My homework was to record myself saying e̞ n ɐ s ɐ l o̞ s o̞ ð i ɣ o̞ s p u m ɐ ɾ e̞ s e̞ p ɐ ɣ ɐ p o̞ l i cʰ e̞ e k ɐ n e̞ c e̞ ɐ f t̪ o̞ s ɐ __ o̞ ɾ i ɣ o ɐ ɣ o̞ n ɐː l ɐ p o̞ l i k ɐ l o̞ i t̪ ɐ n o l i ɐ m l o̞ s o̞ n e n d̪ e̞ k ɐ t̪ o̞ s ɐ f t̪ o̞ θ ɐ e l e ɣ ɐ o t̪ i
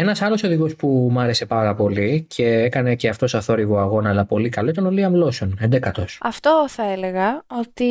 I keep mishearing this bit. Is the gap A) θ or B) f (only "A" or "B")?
A